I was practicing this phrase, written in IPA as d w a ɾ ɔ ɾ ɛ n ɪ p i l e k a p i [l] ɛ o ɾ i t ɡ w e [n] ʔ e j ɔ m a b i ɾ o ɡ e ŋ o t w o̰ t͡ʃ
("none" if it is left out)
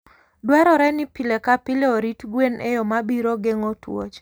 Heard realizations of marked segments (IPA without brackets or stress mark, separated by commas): l, n